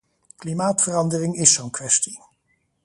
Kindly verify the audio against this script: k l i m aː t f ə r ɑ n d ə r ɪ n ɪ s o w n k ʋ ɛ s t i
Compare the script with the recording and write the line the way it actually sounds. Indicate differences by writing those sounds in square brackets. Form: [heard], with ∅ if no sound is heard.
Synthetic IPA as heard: k l i m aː t f ə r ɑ n d ə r ɪ [ŋ] ɪ s o w n k ʋ ɛ s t i

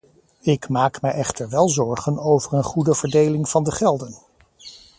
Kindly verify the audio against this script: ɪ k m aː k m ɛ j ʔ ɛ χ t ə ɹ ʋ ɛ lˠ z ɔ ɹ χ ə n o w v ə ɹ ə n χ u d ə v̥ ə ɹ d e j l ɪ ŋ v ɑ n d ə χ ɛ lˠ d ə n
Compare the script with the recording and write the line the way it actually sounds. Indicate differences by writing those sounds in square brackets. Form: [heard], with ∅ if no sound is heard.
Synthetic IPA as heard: ɪ k m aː k m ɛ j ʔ ɛ χ t ə ɹ ʋ ɛ lˠ z ɔ ɹ χ ə n o w v ə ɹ ə n χ u d ə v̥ ə ɹ d e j l ɪ ŋ v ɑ n d ə χ ɛ lˠ d ə n

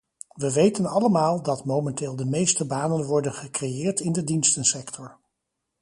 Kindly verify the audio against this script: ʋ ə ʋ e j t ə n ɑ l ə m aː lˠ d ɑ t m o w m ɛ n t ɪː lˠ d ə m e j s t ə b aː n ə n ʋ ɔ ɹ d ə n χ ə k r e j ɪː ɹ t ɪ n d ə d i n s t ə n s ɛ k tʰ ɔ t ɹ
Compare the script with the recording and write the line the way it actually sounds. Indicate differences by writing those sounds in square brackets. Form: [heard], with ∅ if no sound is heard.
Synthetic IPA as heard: ʋ ə ʋ e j t ə n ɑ l ə m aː lˠ d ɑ t m o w m ɛ n t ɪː lˠ d ə m e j s t ə b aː n ə n ʋ ɔ ɹ d ə n χ ə k r e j ɪː ɹ t ɪ n d ə d i n s t ə n s ɛ k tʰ ɔ [∅] ɹ

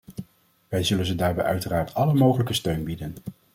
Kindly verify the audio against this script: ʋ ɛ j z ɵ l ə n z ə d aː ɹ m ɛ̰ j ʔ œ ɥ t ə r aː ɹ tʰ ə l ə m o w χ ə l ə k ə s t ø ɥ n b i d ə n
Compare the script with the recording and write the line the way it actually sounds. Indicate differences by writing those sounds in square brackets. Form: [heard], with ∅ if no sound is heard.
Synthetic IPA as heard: ʋ ɛ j z ɵ l ə n z ə d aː ɹ [b] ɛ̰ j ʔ œ ɥ t ə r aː ɹ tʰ [ɑ] l ə m o w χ ə l ə k ə s t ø ɥ n b i d ə n

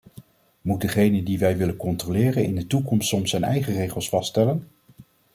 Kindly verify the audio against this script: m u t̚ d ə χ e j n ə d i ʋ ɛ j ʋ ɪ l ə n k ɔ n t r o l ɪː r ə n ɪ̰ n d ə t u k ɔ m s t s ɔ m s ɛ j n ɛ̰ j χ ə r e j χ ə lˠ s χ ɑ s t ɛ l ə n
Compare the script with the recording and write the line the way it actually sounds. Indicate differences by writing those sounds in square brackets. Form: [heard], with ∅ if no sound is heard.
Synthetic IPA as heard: m u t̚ d ə χ e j n ə d i ʋ ɛ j ʋ ɪ l ə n k ɔ n t r o l ɪː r ə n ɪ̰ n d ə t u k ɔ m s t s ɔ m s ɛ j n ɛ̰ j χ ə r e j χ ə lˠ s [f] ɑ s t ɛ l ə n

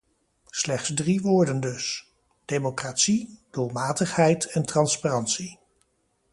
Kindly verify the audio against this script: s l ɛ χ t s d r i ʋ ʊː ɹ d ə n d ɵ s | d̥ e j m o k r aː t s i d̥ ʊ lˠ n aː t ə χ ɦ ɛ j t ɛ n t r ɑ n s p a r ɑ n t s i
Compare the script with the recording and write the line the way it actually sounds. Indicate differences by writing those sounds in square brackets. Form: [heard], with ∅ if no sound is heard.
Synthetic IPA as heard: s l ɛ χ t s d r i ʋ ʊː ɹ d ə n d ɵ s | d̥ e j m o k r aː t s i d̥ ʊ lˠ [m] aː t ə χ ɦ ɛ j t ɛ n t r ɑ n s p a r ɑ n t s i

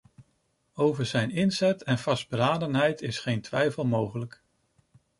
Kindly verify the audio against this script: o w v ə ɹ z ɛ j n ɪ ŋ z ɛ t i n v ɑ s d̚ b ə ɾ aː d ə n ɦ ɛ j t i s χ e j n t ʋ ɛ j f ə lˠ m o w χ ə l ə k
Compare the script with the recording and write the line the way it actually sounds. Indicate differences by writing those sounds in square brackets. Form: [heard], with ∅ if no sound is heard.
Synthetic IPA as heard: o w v ə ɹ z ɛ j n ɪ [n] z ɛ t [ɛ] n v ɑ s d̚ b ə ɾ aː d ə n ɦ ɛ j t [ɪ] s χ e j n t ʋ ɛ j f ə lˠ m o w χ ə l ə k

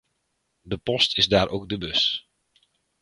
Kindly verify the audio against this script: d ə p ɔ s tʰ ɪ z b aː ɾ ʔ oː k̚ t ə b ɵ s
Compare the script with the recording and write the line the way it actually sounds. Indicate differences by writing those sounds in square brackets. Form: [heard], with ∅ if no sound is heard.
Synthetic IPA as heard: d ə p ɔ s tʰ ɪ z [d] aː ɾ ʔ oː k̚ [d] ə b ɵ s

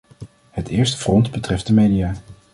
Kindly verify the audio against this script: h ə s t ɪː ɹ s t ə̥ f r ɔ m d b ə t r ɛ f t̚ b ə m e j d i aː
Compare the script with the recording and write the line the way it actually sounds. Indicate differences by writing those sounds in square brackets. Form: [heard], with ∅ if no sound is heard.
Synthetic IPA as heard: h ə [∅] t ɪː ɹ s t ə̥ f r ɔ [n] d b ə t r ɛ f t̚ [d] ə m e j d i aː

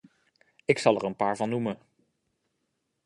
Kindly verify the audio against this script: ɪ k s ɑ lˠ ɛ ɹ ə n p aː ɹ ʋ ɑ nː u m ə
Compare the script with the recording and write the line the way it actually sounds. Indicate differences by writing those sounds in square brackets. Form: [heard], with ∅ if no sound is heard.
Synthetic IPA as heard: ɪ k s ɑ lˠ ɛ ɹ ə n p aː ɹ [v] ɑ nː u m ə

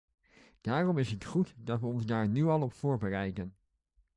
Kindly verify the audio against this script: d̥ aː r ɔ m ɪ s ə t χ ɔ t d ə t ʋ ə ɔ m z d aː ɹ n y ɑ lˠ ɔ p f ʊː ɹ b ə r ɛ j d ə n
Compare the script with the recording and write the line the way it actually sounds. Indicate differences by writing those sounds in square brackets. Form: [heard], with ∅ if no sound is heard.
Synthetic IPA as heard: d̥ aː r ɔ m ɪ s ə t χ [u] t d [ɑ] t ʋ ə ɔ [n] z d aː ɹ n y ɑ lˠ ɔ p f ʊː ɹ b ə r ɛ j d ə n

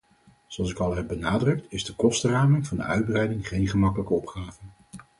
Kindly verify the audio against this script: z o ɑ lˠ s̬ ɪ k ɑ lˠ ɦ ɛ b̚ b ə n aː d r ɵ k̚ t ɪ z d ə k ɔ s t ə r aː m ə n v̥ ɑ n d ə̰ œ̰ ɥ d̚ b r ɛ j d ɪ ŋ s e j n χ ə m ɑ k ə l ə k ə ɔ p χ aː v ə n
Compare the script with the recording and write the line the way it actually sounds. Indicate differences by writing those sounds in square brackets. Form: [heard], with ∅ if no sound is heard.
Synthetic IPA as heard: z o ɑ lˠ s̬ ɪ k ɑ lˠ ɦ ɛ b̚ b ə n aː d r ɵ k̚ t ɪ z d ə k ɔ s t ə r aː m ə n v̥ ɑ n d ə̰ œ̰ ɥ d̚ b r ɛ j d ɪ ŋ [χ] e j n χ ə m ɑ k ə l ə k ə ɔ p χ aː v ə n

